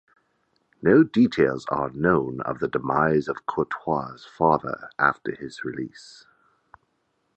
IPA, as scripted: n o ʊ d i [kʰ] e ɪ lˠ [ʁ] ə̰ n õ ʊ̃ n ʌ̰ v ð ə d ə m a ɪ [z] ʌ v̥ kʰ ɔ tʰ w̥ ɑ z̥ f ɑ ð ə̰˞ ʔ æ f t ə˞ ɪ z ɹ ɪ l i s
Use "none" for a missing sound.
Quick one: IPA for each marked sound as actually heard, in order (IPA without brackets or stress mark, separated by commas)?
tʰ, z, z